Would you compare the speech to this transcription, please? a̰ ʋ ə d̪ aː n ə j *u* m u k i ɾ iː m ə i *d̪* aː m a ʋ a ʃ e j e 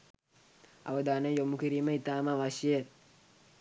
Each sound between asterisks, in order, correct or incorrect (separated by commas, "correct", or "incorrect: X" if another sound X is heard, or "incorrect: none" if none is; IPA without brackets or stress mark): incorrect: o, incorrect: t̪